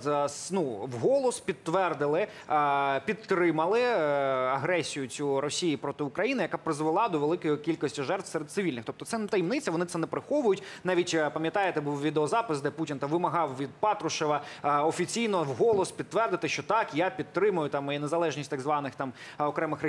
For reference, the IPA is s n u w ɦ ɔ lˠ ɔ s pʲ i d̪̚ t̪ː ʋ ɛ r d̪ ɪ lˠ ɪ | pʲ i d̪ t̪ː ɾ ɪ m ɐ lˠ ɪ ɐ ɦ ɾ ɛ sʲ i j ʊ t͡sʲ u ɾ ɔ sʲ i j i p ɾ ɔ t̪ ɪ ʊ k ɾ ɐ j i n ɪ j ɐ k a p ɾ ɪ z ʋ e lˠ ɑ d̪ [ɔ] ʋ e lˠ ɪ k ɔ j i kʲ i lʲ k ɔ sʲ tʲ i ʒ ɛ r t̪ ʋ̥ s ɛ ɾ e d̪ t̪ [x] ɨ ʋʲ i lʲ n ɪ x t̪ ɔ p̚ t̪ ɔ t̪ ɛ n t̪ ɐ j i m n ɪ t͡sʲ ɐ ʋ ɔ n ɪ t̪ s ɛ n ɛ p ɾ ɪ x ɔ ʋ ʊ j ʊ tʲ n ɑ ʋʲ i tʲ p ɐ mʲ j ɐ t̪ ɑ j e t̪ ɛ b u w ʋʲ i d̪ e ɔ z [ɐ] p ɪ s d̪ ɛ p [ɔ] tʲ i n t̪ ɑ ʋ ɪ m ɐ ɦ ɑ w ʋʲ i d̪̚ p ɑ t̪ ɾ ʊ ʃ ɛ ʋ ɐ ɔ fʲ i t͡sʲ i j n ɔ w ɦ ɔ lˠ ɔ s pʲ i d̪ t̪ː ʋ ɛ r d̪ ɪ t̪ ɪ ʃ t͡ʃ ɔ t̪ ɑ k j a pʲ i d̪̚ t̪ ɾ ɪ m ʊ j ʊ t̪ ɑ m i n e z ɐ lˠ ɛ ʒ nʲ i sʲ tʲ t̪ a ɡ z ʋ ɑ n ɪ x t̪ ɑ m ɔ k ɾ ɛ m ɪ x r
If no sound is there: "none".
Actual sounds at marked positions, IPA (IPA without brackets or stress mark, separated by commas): ɔ, s, ɑ, u